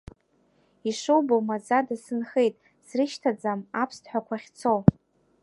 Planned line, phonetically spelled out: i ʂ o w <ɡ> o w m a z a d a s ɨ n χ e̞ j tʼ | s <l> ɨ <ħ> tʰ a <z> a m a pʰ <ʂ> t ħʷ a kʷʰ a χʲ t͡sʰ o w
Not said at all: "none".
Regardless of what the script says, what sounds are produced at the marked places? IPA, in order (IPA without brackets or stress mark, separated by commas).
b, r, ʃ, d͡z, s